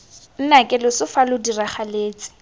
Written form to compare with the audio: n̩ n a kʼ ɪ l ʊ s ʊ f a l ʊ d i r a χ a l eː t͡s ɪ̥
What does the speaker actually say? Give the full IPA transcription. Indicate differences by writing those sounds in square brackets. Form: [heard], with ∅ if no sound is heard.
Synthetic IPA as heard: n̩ n a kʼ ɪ l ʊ s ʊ f a l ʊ d i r a χ a l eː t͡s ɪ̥